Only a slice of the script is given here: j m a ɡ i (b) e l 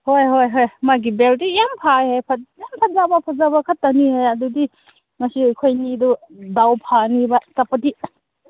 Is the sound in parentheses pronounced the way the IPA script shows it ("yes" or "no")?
yes